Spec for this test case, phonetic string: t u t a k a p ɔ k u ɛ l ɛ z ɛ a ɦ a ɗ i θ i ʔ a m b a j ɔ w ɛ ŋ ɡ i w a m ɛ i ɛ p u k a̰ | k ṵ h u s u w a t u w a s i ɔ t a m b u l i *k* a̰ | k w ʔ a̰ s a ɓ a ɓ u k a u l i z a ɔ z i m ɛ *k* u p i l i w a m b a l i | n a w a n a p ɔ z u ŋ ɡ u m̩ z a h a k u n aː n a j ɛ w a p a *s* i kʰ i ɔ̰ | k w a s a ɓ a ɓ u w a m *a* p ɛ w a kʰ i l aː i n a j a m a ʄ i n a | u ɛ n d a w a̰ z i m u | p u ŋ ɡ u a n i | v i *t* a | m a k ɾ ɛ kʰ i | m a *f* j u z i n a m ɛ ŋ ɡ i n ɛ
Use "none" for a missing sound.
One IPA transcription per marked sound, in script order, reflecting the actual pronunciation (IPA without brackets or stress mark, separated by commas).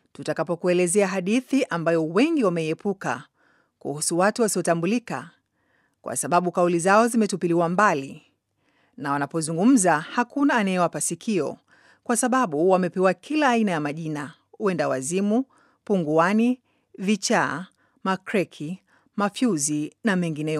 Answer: k, t, s, ɛ, t͡ʃ, f